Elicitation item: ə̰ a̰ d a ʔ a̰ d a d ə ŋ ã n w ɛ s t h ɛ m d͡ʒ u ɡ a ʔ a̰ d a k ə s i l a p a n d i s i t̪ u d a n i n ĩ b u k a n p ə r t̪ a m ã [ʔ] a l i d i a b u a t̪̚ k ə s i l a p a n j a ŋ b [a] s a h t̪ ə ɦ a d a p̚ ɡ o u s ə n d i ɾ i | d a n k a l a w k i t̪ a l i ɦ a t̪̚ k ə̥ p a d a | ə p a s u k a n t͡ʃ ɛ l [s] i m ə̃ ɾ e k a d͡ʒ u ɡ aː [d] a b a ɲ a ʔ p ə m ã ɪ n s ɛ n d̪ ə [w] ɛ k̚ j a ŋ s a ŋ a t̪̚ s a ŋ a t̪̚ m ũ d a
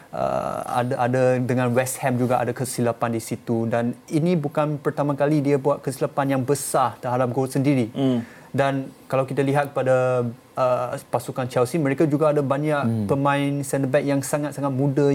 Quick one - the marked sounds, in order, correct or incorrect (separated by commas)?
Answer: incorrect, incorrect, correct, correct, incorrect